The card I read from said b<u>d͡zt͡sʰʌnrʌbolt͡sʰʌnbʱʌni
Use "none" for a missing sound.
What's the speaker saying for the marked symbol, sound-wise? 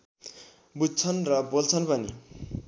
u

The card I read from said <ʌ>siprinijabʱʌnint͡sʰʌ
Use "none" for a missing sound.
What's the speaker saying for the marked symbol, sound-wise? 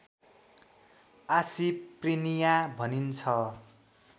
a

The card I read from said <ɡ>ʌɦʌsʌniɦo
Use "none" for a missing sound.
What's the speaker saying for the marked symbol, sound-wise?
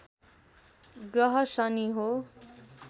ɡ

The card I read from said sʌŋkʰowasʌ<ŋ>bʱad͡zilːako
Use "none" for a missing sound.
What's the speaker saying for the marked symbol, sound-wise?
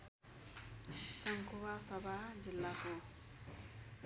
none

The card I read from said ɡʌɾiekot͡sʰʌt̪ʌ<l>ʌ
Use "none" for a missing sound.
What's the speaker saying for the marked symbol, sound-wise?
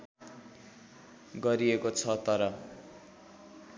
ɾ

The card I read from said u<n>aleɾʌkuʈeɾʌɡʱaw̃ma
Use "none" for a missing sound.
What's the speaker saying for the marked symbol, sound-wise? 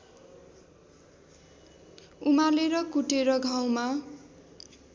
m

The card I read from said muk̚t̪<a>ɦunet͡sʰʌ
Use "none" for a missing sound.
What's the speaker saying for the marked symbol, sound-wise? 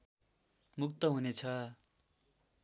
ʌ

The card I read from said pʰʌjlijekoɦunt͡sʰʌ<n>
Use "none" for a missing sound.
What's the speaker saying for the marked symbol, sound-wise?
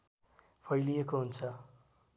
none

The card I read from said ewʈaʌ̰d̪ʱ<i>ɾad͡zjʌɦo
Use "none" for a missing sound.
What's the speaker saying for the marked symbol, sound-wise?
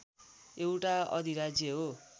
i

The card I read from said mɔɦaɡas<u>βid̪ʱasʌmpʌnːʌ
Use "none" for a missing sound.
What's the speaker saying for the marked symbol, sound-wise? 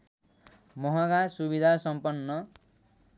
u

